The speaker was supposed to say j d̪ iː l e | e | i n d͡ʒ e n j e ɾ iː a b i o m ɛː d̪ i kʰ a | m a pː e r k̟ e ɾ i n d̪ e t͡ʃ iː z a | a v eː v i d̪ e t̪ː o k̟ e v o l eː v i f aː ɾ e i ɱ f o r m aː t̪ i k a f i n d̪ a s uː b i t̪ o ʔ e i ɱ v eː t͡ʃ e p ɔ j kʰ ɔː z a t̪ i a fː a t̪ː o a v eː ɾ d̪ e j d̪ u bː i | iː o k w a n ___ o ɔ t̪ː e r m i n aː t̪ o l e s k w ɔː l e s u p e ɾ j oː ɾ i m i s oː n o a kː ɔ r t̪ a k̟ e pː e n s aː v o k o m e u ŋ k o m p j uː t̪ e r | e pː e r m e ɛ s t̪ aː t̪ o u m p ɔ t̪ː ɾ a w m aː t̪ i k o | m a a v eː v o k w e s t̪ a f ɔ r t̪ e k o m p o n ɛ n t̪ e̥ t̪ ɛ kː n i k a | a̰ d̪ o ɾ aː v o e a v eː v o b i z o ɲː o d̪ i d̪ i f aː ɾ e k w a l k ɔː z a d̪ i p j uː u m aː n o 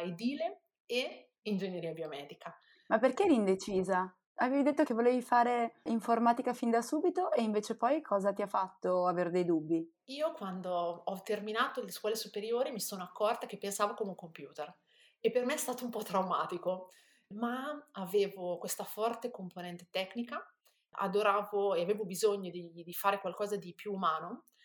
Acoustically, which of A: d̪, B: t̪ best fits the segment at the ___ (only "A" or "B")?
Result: A